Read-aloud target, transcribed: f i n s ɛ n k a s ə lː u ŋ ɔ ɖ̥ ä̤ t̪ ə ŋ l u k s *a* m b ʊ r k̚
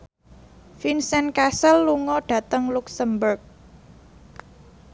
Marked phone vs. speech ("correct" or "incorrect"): incorrect